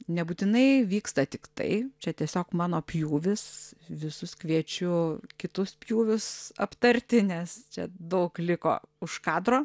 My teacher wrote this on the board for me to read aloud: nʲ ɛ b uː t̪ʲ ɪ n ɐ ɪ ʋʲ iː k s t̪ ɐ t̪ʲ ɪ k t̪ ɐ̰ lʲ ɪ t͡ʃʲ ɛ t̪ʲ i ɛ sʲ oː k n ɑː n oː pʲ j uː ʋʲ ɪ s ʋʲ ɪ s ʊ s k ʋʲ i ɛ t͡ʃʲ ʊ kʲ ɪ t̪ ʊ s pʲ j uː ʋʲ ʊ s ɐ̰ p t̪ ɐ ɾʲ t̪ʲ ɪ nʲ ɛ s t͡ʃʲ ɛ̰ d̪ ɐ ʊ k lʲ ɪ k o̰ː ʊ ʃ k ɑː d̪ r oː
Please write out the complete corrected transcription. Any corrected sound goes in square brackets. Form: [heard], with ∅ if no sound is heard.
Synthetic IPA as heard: nʲ ɛ b uː t̪ʲ ɪ n ɐ ɪ ʋʲ iː k s t̪ ɐ t̪ʲ ɪ k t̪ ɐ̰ [∅] ɪ t͡ʃʲ ɛ t̪ʲ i ɛ sʲ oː k [m] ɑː n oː pʲ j uː ʋʲ ɪ s ʋʲ ɪ s ʊ s k ʋʲ i ɛ t͡ʃʲ ʊ kʲ ɪ t̪ ʊ s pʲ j uː ʋʲ ʊ s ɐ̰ p t̪ ɐ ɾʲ t̪ʲ ɪ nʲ ɛ s t͡ʃʲ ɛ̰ d̪ ɐ ʊ k lʲ ɪ k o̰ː ʊ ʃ k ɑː d̪ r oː